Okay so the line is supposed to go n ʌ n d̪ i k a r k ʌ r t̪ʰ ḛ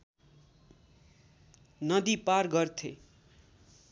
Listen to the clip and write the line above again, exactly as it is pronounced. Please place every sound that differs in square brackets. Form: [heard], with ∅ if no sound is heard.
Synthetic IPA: n ʌ [∅] d̪ i [p] a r [ɡ] ʌ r t̪ʰ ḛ

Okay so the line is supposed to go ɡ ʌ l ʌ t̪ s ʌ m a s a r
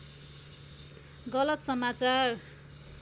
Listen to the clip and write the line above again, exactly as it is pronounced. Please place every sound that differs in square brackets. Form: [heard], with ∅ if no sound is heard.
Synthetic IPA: ɡ ʌ l ʌ t̪ s ʌ m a [t͡s] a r

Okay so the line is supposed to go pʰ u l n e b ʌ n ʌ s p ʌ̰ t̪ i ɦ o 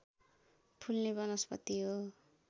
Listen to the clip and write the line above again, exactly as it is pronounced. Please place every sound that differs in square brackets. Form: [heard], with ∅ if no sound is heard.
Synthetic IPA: pʰ u l n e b ʌ n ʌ s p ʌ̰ t̪ i ɦ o

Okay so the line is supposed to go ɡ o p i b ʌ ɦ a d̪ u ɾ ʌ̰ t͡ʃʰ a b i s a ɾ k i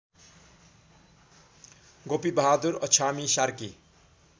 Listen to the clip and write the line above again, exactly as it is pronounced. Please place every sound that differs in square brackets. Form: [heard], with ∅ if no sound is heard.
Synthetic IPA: ɡ o p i b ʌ ɦ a d̪ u ɾ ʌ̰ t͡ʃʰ a [m] i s a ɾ k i

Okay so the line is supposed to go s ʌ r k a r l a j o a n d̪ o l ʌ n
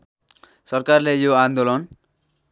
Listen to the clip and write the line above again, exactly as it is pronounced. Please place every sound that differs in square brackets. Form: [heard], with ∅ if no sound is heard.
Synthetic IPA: s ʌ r k a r l [e] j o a n d̪ o l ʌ n

